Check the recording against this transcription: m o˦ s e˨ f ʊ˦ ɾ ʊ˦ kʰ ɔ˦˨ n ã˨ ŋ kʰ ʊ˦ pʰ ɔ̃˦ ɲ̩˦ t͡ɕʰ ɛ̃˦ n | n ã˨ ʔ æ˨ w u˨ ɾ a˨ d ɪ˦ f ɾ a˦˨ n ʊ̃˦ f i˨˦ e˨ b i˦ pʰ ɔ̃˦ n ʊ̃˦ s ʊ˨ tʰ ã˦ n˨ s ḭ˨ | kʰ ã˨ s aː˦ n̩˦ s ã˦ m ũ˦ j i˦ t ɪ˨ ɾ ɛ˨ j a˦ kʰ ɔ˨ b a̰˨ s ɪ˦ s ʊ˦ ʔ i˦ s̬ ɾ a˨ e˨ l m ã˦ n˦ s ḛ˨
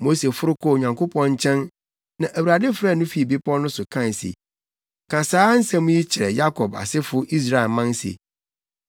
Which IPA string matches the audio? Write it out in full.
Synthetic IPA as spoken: m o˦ s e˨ f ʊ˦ ɾ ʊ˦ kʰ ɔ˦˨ ɲ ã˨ ŋ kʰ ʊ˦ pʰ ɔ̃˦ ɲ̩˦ t͡ɕʰ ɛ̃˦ n | n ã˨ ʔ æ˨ w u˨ ɾ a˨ d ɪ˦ f ɾ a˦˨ n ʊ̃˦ f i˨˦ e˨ b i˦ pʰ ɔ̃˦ n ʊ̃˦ s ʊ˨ kʰ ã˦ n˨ s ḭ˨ | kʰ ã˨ s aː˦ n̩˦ s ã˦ m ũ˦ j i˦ t͡ɕʰ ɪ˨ ɾ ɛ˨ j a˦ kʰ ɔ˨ b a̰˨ s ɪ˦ f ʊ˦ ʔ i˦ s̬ ɾ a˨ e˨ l m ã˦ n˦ s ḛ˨

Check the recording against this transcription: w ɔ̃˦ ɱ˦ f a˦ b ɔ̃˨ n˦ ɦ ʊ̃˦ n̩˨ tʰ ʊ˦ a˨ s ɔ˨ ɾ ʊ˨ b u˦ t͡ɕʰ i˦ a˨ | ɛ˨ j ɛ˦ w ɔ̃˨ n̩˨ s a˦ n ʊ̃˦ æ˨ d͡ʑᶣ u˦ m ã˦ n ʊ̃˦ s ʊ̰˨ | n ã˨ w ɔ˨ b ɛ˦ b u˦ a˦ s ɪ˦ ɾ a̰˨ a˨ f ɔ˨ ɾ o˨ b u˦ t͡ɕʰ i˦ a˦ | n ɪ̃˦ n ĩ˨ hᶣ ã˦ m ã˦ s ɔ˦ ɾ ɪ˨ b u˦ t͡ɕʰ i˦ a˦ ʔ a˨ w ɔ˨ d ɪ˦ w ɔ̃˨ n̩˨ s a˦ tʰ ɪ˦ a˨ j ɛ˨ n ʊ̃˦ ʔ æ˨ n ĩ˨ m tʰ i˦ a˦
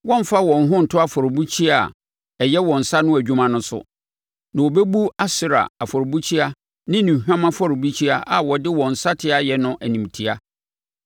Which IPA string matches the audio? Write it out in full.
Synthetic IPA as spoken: w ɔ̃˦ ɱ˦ f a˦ w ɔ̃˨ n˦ ɦ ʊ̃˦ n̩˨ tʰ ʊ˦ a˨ f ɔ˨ ɾ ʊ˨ b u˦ t͡ɕʰ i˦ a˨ | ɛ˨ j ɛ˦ w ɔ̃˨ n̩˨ s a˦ n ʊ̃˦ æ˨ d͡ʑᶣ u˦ m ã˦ n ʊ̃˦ s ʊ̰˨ | n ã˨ w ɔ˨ b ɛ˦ b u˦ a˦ s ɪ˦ ɾ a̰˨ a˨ f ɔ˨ ɾ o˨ b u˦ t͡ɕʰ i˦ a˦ | n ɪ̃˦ n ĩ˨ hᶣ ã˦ m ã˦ f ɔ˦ ɾ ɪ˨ b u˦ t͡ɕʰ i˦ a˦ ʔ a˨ w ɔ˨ d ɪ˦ w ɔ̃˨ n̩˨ s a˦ tʰ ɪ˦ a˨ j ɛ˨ n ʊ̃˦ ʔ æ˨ n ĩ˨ m tʰ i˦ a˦

